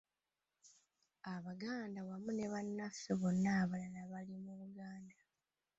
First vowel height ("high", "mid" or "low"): low